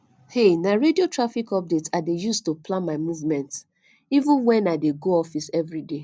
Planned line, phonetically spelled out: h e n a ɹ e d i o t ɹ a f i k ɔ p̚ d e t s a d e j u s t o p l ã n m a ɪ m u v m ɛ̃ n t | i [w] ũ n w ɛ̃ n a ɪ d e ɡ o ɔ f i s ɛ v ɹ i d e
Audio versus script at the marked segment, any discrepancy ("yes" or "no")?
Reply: yes